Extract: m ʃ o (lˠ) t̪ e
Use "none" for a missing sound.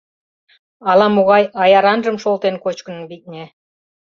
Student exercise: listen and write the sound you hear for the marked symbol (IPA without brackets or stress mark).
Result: lˠ